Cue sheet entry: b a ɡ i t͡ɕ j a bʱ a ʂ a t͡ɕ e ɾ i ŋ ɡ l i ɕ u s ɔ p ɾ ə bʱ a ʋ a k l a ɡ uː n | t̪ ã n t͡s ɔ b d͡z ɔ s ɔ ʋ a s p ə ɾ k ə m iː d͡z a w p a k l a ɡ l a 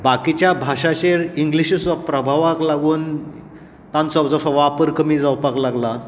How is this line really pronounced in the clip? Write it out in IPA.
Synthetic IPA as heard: b a k i t͡ɕ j a bʱ a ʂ a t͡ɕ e ɾ i ŋ ɡ l i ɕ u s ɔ p ɾ ə bʱ a ʋ a k l a ɡ uː n | t̪ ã n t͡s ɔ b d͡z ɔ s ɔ ʋ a p ə ɾ k ə m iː d͡z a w p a k l a ɡ l a

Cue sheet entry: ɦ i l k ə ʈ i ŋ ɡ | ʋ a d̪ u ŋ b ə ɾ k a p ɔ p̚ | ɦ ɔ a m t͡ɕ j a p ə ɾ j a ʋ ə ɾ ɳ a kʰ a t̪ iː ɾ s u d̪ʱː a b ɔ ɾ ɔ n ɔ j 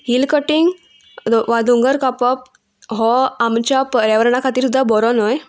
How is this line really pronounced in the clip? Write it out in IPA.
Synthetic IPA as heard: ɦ i l k ə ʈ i ŋ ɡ | ʋ a d̪ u ŋ ɡ ə ɾ k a p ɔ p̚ | ɦ ɔ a m t͡ɕ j a p ə ɾ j a ʋ ə ɾ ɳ a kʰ a t̪ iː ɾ s u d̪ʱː a b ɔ ɾ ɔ n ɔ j

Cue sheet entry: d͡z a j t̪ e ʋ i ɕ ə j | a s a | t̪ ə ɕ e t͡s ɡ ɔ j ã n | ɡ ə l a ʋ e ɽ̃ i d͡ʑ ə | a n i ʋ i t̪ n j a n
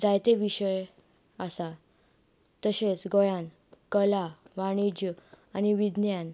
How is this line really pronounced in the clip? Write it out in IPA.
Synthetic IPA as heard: d͡z a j t̪ e ʋ i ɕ ə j | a s a | t̪ ə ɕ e t͡s ɡ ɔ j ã n | k ə l a ʋ a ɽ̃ i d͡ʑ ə | a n i ʋ i d̪ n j a n

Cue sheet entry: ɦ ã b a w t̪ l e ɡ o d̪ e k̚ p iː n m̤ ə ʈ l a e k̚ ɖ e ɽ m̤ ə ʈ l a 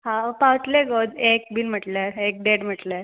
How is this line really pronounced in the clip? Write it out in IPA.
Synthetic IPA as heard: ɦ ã p a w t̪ l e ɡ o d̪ e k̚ b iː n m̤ ə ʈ l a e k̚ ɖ e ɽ m̤ ə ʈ l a

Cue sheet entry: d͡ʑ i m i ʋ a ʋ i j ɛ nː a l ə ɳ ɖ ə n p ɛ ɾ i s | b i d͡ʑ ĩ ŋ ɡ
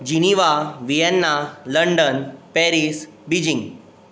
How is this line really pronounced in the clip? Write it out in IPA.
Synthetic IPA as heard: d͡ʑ i n i ʋ a ʋ i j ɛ nː a l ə ɳ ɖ ə n p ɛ ɾ i s | b i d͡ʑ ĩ ŋ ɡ

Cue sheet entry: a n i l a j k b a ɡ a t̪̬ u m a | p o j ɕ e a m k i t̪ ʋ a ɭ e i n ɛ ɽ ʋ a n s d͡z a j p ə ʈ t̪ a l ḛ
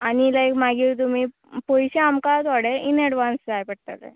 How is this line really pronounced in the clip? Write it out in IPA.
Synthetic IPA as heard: a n i l a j k m a ɡ i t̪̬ u m i | p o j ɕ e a m k a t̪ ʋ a ɽ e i n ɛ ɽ ʋ a n s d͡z a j p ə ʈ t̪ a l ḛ

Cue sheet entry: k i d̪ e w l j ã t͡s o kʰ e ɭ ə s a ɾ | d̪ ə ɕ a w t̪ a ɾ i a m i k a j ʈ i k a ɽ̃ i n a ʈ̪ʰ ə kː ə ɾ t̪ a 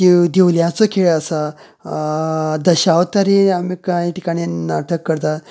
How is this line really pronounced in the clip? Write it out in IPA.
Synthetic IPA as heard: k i d̪ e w l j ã t͡s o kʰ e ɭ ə s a | d̪ ə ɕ a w t̪ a ɾ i a m i k a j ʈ i k a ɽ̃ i n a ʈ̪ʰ ə kː ə ɾ t̪ a

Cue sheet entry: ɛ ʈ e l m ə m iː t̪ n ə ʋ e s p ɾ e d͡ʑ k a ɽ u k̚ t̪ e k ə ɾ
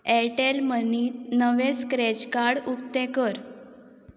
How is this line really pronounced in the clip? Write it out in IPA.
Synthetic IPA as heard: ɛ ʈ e l m ə n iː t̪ n ə ʋ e s k ɾ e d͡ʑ k a ɽ u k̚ t̪ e k ə ɾ

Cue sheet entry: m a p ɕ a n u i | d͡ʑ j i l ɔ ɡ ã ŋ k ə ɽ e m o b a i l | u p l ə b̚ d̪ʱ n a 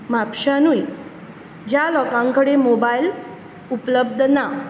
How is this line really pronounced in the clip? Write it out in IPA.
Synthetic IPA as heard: m a p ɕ a n u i | d͡ʑ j a l ɔ k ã ŋ k ə ɽ e m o b a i l | u p l ə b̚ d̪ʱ n a

